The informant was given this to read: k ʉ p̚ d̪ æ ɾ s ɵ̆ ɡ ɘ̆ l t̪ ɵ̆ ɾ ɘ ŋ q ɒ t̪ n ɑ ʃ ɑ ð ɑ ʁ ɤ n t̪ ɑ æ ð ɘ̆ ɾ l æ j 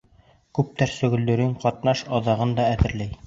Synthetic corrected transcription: k ʉ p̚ t̪ æ ɾ s ɵ̆ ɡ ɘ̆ l d̪ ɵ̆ ɾ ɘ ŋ q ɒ t̪ n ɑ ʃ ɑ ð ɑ ʁ ɤ n d̪ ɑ æ ð ɘ̆ ɾ l æ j

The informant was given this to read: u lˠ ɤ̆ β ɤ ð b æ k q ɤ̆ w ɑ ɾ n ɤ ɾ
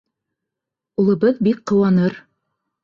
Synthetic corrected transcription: u lˠ ɤ̆ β ɤ ð b i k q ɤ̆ w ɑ n ɤ ɾ

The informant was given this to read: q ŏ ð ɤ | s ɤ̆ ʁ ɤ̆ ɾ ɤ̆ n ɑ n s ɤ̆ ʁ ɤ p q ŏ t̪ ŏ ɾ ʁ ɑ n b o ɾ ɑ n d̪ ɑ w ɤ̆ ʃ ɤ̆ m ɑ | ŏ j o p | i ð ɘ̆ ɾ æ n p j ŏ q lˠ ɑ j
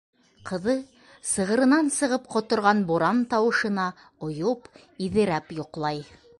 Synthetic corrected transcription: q ɤ̆ ð ɤ | s ɤ̆ ʁ ɤ̆ ɾ ɤ̆ n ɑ n s ɤ̆ ʁ ɤ p q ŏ t̪ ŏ ɾ ʁ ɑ n b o ɾ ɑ n t̪ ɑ w ɤ̆ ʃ ɤ̆ n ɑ | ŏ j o p | i ð ɘ̆ ɾ æ p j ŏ q lˠ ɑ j

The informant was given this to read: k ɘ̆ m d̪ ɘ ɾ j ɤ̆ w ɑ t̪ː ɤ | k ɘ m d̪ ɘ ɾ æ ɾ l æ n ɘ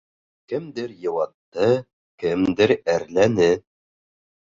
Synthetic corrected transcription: k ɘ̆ m d̪ ɘ ɾ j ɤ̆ w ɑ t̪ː ɤ | k ɘ m d̪ ɘ ɾ æ ɾ l æ n ɘ

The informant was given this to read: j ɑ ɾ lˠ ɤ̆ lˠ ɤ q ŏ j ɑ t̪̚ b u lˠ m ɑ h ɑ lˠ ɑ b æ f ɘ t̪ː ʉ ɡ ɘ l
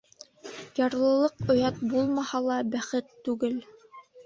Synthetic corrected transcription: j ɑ ɾ lˠ ɤ̆ lˠ ɤ q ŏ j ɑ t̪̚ b u lˠ m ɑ h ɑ lˠ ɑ b æ χ ɘ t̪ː ʉ ɡ ɘ l

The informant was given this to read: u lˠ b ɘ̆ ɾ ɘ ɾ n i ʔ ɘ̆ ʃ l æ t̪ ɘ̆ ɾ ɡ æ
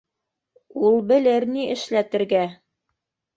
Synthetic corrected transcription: u lˠ b ɘ̆ l ɘ ɾ n i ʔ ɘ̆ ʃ l æ t̪ ɘ̆ ɾ ɡ æ

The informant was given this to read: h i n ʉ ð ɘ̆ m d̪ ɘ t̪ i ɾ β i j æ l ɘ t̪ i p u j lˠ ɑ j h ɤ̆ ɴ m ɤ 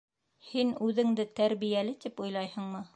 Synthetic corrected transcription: h i n ʉ ð ɘ̆ ŋ d̪ ɘ t̪ æ ɾ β i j æ l ɘ t̪ i p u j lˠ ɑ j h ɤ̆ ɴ m ɤ

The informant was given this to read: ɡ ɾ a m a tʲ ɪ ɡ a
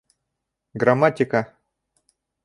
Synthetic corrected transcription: ɡ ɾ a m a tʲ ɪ k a

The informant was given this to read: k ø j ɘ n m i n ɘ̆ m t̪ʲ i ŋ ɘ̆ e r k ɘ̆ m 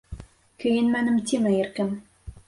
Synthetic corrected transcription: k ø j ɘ n m æ n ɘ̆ m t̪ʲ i m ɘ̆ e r k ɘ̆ m

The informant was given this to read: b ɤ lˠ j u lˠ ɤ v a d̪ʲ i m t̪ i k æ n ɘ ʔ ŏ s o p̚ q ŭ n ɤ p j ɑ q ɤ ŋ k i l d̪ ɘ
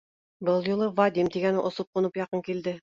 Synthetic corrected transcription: b ɤ lˠ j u lˠ ɤ v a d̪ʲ i m t̪ i ɡ æ n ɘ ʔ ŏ s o p̚ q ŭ n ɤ p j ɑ q ɤ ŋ k i l d̪ ɘ

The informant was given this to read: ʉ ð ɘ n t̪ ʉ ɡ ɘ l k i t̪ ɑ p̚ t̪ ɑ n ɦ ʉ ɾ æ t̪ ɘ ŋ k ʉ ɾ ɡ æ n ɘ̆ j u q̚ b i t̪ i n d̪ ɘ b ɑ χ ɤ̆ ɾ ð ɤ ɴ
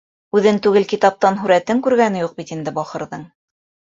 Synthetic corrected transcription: ʉ ð ɘ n t̪ ʉ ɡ ɘ l k i t̪ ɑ p̚ t̪ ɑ n ɦ ʉ ɾ æ t̪ ɘ ŋ k ʉ ɾ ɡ æ n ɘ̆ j u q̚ b i t̪ i n d̪ ɘ b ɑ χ ɤ̆ ɾ ð ɤ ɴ

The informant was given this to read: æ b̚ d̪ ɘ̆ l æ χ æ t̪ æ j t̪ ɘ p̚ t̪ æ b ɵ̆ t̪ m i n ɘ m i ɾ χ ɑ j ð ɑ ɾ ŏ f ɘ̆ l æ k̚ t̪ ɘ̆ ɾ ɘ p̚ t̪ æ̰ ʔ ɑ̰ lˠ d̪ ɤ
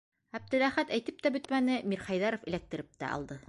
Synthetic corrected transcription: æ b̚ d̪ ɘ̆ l æ χ æ t̪ æ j t̪ ɘ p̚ t̪ æ b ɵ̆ t̪ m æ n ɘ m i ɾ χ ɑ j ð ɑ ɾ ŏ f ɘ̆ l æ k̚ t̪ ɘ̆ ɾ ɘ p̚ t̪ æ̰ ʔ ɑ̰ lˠ d̪ ɤ

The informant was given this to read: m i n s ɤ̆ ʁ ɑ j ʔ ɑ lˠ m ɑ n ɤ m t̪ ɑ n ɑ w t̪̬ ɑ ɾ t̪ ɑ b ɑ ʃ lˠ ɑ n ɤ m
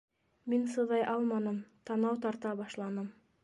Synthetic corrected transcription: m i n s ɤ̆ ð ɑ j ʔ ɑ lˠ m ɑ n ɤ m t̪ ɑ n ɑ w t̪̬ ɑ ɾ t̪ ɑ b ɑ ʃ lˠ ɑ n ɤ m

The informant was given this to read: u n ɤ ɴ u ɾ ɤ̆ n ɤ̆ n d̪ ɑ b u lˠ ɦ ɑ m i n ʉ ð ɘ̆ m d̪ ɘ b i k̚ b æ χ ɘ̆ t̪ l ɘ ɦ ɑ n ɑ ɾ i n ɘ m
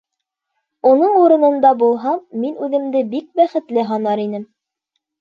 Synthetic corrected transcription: u n ɤ ɴ u ɾ ɤ̆ n ɤ̆ n d̪ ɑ b u lˠ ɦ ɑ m i n ʉ ð ɘ̆ m d̪ ɘ b i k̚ b æ χ ɘ̆ t̪ l ɘ ɦ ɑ n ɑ ɾ i n ɘ m

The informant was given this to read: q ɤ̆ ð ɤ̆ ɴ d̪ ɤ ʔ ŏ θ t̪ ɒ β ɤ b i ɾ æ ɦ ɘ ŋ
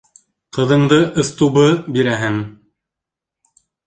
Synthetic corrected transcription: q ɤ̆ ð ɤ̆ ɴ d̪ ɤ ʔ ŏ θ t̪ u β ɤ b i ɾ æ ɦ ɘ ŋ

